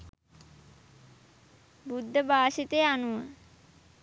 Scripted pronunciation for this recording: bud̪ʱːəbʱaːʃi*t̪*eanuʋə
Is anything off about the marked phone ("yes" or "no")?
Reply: no